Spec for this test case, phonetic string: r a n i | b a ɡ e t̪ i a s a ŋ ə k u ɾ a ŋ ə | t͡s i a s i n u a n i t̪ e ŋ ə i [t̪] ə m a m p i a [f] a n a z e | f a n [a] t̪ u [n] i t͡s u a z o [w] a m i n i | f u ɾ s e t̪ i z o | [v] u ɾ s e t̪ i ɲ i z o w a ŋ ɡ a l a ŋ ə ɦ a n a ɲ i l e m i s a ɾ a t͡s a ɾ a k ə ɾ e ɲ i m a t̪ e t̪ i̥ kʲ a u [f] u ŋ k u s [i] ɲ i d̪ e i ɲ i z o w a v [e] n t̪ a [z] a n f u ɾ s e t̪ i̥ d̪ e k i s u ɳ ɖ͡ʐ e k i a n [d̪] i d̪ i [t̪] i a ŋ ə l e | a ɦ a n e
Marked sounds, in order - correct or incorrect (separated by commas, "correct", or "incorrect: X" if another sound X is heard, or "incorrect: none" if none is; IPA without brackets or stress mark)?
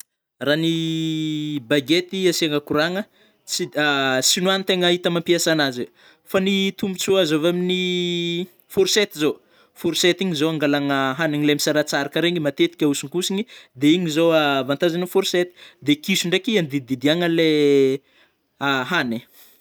correct, incorrect: s, incorrect: i, incorrect: m, incorrect: v, incorrect: f, incorrect: s, correct, incorrect: a, correct, correct, incorrect: d̪